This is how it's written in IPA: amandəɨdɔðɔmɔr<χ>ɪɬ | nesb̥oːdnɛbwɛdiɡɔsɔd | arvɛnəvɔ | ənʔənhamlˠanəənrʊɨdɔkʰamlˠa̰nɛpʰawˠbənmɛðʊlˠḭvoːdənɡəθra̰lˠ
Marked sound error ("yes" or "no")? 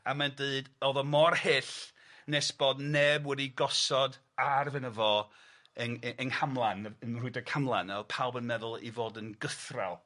yes